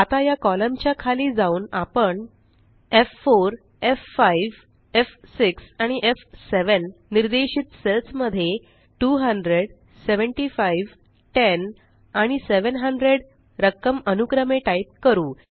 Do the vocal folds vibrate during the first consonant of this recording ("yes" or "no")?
no